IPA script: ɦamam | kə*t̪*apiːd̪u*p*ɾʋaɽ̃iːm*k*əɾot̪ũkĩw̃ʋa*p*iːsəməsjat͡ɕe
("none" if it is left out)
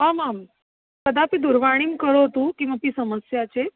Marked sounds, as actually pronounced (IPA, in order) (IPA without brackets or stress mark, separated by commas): d̪, none, k, p